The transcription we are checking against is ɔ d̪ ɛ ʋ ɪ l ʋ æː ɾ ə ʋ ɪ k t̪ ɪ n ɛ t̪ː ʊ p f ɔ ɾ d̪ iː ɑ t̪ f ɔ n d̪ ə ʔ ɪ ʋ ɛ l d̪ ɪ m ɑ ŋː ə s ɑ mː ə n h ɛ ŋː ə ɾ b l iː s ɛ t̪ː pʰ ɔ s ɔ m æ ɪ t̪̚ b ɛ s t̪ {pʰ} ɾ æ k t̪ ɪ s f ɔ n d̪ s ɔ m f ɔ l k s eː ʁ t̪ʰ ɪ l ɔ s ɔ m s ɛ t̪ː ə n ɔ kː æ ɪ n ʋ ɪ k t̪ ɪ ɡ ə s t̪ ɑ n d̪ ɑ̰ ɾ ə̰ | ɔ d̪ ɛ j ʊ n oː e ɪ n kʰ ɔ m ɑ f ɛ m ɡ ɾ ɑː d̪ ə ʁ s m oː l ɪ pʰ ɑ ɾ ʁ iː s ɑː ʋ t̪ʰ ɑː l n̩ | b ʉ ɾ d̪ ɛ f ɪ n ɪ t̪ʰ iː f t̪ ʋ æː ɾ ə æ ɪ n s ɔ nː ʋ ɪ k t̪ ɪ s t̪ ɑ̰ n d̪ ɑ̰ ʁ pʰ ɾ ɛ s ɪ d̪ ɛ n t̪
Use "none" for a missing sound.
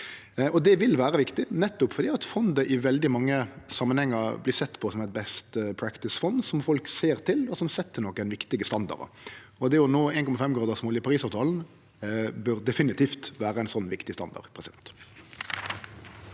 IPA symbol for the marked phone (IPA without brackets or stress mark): pʰ